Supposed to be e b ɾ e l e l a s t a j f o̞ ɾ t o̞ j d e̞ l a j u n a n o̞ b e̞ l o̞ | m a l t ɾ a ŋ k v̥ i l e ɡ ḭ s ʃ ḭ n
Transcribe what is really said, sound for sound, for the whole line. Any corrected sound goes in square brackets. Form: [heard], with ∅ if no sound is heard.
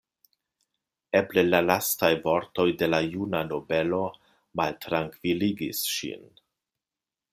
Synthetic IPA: e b [l] e l [a] l a s t a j [v] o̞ ɾ t o̞ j d e̞ l a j u n a n o̞ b e̞ l o̞ | m a l t ɾ a ŋ k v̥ i l [i] ɡ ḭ s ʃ ḭ n